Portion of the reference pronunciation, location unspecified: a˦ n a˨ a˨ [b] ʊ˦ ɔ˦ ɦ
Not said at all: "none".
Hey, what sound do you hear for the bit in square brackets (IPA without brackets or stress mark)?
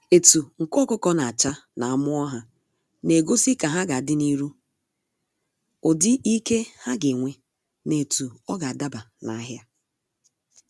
m